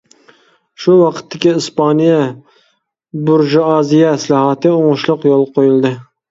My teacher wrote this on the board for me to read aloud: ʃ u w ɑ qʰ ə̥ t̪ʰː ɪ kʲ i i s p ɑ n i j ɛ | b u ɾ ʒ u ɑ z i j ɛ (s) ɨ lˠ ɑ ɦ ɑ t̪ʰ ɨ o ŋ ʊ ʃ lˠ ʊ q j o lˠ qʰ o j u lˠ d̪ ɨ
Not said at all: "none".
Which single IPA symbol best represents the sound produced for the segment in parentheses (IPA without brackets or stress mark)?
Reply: s